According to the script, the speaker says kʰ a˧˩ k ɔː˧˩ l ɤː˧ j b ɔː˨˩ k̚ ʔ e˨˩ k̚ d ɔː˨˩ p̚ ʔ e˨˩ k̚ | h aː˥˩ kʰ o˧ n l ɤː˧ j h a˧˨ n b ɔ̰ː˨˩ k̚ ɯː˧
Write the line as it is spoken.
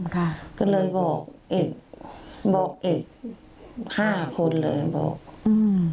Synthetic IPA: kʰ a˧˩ k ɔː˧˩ l ɤː˧ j b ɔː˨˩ k̚ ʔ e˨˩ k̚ b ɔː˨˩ k̚ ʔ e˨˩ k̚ | h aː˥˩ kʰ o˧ n l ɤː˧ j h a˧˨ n b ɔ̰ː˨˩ k̚ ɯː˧